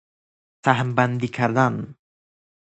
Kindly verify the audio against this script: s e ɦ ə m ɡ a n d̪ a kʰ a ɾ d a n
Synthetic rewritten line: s a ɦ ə m b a n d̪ i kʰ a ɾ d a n